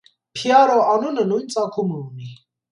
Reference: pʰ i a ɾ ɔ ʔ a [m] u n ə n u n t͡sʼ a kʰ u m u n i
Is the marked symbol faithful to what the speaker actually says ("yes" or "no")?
no